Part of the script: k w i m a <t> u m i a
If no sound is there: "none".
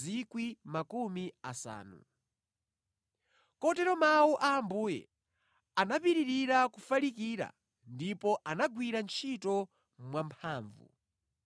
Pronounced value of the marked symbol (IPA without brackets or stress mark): k